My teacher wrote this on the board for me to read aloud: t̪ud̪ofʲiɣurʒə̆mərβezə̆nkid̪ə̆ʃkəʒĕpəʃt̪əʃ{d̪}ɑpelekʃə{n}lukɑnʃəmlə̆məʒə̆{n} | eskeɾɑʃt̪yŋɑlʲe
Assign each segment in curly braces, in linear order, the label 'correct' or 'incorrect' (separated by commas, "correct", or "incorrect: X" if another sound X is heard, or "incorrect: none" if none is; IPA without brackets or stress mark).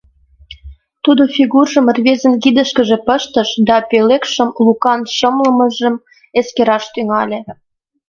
correct, incorrect: m, incorrect: m